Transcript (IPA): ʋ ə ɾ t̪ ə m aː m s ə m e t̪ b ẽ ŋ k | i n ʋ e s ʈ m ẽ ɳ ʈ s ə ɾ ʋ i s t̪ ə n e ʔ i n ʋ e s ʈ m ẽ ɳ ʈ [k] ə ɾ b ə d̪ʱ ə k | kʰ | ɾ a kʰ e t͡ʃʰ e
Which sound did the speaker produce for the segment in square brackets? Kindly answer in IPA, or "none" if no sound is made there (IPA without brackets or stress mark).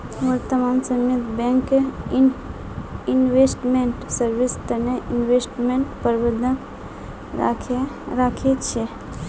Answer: p